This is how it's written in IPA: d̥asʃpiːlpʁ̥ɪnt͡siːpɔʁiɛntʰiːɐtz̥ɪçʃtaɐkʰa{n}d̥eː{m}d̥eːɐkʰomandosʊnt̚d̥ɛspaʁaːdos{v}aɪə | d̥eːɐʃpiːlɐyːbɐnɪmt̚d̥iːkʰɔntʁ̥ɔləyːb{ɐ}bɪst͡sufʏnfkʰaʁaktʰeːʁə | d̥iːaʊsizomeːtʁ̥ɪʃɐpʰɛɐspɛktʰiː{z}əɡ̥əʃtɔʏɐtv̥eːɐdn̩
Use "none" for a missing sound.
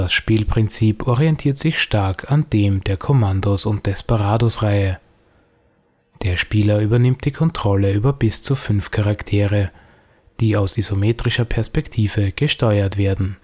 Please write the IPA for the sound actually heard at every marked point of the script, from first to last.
n, m, ʁ, ɐ, v

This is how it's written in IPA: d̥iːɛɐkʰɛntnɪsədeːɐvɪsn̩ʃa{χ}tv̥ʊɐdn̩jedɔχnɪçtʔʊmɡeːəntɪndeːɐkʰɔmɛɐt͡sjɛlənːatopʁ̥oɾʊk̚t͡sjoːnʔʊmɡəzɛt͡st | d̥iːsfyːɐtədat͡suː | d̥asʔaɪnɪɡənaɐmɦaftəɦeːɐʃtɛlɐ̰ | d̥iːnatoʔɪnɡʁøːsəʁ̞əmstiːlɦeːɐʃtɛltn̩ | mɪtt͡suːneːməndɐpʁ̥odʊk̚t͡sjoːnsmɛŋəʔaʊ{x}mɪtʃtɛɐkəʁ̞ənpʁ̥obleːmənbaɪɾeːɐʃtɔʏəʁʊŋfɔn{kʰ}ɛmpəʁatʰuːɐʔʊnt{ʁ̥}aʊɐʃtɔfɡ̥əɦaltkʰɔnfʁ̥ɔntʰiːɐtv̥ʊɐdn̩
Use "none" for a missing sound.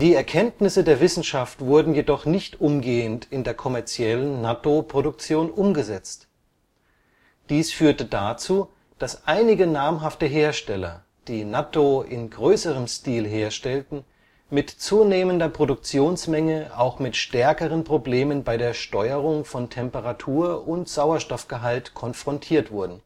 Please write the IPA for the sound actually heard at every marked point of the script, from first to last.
f, x, tʰ, z̥

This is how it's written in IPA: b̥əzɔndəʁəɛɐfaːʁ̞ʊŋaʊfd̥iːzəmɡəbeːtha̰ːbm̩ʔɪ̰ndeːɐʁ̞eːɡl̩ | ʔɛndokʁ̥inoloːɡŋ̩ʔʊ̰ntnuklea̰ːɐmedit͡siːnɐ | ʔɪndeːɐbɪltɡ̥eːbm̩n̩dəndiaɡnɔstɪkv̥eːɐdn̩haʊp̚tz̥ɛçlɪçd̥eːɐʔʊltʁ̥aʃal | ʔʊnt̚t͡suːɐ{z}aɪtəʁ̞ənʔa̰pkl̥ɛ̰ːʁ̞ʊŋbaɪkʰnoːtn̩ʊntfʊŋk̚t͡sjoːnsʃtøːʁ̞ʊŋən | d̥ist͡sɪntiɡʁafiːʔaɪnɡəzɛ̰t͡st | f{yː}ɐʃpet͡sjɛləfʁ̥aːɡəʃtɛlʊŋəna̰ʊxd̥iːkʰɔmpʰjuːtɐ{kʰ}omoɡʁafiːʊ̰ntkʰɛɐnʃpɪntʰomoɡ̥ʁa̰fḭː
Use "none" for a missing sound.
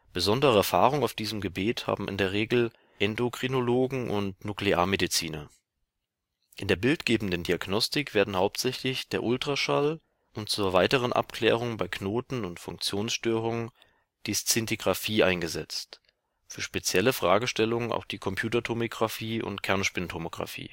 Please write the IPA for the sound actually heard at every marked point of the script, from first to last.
v, yː, tʰ

